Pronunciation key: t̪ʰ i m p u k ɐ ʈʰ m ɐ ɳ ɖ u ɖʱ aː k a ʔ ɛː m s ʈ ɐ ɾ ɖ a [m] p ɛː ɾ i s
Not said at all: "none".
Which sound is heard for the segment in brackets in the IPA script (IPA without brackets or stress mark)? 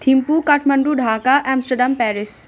m